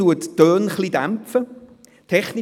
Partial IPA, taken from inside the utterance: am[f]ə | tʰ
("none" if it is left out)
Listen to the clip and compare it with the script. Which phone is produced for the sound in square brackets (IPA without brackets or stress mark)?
f